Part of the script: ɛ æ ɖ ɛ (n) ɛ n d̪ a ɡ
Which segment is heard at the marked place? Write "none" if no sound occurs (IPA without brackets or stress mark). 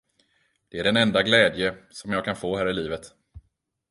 n